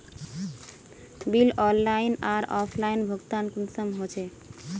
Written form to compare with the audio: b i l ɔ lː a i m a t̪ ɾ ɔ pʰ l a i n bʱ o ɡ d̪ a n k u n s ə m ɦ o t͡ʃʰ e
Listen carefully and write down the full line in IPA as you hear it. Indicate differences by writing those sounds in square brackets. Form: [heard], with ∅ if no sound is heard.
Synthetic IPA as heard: b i l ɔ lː a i [n] a [∅] ɾ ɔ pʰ l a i n bʱ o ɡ [t̪] a n k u n s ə m ɦ o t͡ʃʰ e